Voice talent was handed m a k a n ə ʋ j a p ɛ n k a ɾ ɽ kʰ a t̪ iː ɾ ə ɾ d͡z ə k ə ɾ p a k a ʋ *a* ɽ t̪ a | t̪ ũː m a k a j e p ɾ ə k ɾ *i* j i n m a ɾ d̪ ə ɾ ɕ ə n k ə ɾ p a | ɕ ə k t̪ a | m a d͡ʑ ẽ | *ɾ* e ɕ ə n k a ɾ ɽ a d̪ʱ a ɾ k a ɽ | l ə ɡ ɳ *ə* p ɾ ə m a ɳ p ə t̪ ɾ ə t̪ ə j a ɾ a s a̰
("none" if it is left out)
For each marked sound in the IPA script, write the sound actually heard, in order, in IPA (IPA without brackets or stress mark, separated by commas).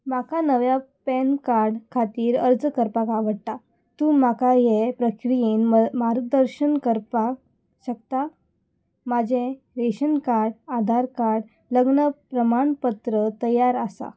ə, i, ɾ, ə